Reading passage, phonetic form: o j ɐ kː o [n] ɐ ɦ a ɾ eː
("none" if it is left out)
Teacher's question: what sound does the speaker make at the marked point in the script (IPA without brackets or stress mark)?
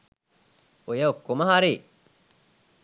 m